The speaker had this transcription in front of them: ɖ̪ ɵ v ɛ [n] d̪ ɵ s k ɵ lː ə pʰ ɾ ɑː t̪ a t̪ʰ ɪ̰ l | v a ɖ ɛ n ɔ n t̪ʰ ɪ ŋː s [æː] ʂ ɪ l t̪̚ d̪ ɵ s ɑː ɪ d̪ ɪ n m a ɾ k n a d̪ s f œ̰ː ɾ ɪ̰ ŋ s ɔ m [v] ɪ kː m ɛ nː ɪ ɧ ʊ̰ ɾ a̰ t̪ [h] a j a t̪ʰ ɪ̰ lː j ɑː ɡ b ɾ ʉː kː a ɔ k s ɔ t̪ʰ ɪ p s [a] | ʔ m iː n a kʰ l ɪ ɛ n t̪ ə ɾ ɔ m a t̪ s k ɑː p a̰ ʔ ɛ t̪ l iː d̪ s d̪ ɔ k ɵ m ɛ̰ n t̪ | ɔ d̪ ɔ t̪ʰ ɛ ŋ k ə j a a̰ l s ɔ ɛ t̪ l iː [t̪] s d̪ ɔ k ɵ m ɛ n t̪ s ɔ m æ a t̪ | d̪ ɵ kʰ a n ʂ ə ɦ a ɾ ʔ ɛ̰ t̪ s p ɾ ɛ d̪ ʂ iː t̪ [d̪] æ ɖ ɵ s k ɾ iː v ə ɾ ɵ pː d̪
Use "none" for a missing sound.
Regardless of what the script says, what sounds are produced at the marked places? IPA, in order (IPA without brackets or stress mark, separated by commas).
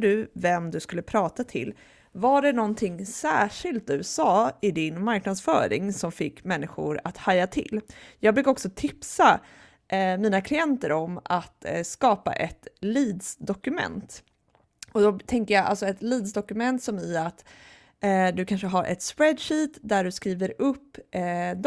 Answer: m, æː, f, h, a, d̪, d̪